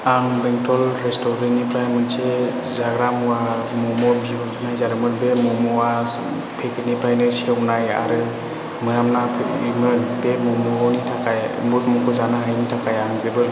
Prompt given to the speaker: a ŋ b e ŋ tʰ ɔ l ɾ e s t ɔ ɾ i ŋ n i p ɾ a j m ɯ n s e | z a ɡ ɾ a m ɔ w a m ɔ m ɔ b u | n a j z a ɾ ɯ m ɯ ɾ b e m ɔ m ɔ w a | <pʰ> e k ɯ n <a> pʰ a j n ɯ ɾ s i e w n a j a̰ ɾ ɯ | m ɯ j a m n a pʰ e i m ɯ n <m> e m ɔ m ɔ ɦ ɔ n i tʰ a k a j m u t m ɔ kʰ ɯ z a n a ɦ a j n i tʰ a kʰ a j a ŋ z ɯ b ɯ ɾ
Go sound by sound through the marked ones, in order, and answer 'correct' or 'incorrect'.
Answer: correct, incorrect: i, incorrect: b

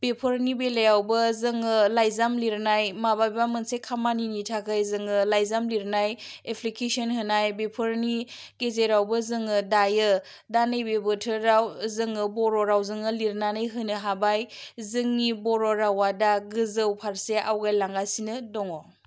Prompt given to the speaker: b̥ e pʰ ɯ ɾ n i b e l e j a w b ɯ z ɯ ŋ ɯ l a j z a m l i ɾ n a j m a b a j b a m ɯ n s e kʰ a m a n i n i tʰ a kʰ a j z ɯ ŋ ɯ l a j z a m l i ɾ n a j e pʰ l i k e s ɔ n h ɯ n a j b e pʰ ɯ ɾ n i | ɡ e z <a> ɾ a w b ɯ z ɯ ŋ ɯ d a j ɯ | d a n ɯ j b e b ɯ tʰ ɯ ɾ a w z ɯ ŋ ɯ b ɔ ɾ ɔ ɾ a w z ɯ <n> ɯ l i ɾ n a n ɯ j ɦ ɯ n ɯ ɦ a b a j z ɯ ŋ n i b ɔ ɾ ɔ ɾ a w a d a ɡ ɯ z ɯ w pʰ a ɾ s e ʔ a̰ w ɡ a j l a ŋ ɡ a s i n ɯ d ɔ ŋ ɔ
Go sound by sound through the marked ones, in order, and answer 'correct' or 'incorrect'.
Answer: incorrect: e, incorrect: ŋ

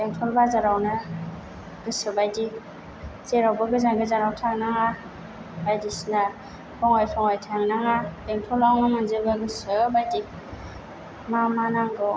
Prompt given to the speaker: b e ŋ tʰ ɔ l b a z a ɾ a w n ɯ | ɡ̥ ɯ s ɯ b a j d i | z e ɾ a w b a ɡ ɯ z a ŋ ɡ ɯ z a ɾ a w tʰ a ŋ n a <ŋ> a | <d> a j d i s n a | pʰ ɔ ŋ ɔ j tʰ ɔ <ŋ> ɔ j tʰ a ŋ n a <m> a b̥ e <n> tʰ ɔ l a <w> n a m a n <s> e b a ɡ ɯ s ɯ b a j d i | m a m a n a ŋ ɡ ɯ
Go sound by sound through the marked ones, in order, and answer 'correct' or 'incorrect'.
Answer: correct, incorrect: b, correct, incorrect: ŋ, incorrect: ŋ, correct, incorrect: z

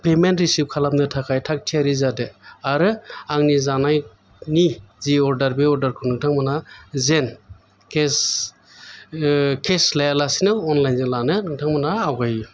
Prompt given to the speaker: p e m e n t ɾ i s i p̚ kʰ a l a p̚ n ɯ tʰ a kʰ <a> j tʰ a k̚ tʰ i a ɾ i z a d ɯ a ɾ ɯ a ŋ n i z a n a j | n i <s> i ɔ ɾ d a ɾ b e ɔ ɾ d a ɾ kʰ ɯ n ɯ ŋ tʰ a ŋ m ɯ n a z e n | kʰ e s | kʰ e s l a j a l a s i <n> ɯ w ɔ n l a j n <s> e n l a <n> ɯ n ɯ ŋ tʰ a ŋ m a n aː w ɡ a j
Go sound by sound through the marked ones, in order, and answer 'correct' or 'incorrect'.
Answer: correct, incorrect: z, correct, incorrect: z, correct

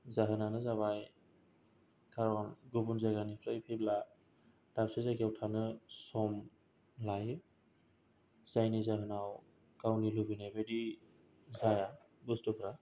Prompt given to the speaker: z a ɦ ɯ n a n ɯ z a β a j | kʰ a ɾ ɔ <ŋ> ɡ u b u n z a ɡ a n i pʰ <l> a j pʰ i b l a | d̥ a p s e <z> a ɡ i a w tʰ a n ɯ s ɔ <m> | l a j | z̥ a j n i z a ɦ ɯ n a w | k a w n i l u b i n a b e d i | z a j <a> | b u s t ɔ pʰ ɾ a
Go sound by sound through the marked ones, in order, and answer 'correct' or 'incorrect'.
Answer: incorrect: n, incorrect: ɾ, correct, correct, correct

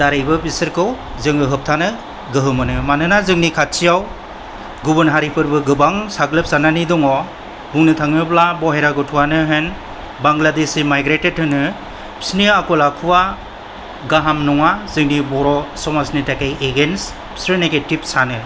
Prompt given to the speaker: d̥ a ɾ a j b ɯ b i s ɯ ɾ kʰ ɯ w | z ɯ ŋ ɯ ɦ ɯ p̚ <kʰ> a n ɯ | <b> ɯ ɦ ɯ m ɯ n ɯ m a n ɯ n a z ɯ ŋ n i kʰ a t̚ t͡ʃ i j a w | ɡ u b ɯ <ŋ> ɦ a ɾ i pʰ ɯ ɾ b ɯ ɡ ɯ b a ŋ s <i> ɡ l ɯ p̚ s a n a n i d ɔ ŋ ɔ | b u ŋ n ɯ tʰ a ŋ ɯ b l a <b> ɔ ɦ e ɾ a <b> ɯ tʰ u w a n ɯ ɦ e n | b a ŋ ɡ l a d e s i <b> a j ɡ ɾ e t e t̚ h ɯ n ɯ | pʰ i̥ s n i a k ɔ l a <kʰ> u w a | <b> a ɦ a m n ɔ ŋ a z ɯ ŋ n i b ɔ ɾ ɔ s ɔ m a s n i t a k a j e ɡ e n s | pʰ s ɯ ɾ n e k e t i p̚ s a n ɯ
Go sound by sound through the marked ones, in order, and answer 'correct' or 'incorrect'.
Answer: incorrect: tʰ, incorrect: ɡ, incorrect: n, incorrect: a, correct, incorrect: ɡ, incorrect: m, correct, incorrect: ɡ

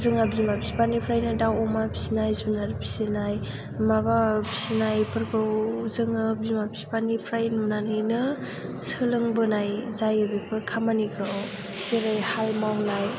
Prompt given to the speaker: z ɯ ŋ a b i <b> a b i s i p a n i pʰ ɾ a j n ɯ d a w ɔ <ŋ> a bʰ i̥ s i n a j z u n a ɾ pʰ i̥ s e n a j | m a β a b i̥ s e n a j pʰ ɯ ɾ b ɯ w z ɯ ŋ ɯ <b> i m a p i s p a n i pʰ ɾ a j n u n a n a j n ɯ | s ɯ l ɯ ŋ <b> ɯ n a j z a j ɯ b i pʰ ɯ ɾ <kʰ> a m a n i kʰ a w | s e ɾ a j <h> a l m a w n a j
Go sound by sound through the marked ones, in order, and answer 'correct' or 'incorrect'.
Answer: incorrect: m, incorrect: m, correct, correct, correct, correct

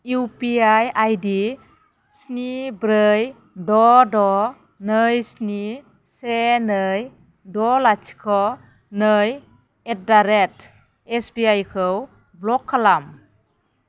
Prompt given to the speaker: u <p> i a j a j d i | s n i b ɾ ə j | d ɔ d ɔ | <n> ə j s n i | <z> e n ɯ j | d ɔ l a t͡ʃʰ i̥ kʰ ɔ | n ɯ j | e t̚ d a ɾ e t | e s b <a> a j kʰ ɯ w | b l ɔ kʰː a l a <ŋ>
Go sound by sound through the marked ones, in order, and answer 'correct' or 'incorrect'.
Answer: correct, correct, incorrect: s, incorrect: i, incorrect: m

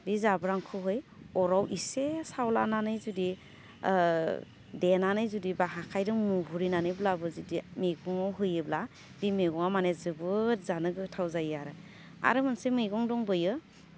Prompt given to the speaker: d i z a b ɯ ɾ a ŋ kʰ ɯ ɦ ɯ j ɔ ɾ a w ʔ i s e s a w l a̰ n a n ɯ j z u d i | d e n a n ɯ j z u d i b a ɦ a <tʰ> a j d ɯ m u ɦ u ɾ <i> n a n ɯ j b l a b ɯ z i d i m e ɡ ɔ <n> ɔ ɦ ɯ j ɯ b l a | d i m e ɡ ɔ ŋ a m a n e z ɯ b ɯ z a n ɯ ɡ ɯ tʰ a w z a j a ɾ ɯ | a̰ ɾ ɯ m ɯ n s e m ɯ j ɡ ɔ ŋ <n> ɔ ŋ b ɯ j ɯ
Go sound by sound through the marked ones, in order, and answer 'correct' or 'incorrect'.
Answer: incorrect: kʰ, correct, incorrect: ŋ, incorrect: d

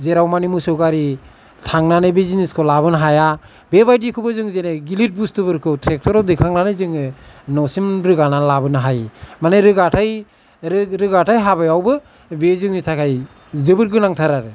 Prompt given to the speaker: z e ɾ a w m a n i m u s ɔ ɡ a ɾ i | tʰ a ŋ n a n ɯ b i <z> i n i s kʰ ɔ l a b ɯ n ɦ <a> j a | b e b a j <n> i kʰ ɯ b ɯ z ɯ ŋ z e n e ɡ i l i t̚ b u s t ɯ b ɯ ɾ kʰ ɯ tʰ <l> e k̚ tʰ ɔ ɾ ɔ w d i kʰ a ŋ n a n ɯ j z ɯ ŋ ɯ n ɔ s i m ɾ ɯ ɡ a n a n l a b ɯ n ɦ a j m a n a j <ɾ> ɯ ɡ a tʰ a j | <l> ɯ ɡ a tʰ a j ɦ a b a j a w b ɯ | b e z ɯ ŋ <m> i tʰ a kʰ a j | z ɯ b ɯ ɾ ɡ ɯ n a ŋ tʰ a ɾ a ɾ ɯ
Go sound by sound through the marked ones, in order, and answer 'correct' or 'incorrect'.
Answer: correct, correct, incorrect: d, incorrect: ɾ, correct, incorrect: ɾ, incorrect: n

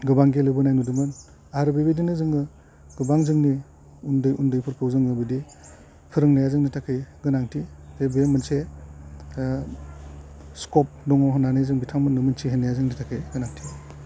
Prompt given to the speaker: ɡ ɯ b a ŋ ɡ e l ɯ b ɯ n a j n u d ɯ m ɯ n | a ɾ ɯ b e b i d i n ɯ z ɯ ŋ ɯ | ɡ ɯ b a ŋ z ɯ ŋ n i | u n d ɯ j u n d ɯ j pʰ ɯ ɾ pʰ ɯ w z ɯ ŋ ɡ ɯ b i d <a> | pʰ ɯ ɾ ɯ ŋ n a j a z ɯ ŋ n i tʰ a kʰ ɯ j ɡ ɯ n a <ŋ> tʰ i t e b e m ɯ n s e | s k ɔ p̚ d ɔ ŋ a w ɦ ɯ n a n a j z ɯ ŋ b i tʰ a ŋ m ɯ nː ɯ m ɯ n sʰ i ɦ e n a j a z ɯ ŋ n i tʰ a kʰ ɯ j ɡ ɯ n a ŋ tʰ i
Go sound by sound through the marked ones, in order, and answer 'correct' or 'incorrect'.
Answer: incorrect: i, correct

